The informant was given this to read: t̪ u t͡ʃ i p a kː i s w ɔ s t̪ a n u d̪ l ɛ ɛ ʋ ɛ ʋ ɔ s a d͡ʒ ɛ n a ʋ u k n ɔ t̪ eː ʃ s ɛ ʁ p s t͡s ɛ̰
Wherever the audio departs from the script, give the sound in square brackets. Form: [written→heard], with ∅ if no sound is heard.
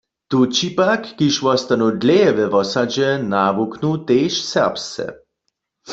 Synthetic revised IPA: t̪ u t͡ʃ i p a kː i [s→ʃ] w ɔ s t̪ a n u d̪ l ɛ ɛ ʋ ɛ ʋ ɔ s a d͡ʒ ɛ n a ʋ u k n [ɔ→u] t̪ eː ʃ s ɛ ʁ p s t͡s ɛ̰